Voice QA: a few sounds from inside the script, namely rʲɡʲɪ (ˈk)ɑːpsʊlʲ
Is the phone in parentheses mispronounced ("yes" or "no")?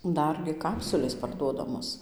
no